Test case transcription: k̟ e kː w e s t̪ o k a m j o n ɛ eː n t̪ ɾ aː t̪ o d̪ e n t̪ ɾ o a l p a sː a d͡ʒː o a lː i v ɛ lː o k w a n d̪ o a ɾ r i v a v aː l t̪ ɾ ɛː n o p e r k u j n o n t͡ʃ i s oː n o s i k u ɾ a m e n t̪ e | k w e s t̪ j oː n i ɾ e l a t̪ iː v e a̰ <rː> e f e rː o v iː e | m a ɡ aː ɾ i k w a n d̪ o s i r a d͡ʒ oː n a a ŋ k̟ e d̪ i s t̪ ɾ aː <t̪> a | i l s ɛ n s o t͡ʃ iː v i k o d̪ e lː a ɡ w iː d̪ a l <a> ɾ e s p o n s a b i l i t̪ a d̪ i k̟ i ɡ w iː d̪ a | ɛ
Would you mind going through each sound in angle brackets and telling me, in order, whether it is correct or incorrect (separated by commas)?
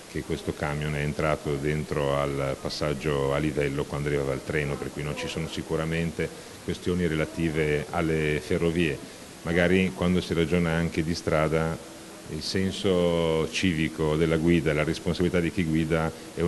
incorrect, incorrect, correct